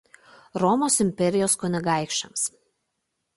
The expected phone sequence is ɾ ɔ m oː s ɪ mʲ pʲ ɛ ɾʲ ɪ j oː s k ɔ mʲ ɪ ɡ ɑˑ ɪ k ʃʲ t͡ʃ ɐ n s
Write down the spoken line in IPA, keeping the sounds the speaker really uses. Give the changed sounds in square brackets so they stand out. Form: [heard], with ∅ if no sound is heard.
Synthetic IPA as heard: ɾ ɔ m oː s ɪ mʲ pʲ ɛ ɾʲ ɪ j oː s k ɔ [nʲ] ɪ ɡ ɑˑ ɪ k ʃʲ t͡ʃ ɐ [m] s